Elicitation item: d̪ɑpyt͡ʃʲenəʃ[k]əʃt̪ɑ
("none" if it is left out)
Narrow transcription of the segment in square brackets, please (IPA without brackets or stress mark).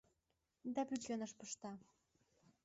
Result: p